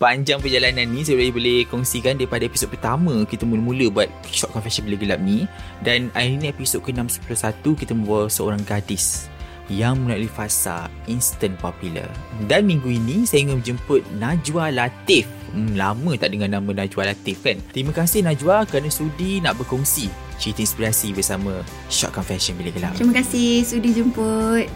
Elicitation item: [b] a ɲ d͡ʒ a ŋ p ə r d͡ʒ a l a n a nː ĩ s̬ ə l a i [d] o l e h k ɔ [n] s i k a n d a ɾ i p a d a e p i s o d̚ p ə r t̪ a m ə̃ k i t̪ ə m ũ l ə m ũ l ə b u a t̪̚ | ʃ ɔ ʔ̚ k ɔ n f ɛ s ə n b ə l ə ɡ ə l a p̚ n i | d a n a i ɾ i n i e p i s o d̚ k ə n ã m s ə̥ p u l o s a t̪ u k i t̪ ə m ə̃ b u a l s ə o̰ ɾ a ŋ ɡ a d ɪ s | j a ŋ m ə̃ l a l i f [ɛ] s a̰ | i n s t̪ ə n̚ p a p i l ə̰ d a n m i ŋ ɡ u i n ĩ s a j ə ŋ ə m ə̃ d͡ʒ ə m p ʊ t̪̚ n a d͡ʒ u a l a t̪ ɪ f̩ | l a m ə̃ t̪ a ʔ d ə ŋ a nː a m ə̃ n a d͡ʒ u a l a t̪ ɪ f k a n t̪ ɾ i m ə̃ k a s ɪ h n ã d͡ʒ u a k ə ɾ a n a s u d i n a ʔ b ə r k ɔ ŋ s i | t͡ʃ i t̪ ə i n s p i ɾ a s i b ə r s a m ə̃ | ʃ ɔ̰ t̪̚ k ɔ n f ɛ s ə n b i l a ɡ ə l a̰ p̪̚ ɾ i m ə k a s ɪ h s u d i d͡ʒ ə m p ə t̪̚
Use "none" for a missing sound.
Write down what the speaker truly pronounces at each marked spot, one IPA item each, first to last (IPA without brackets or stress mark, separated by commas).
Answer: p, b, ŋ, a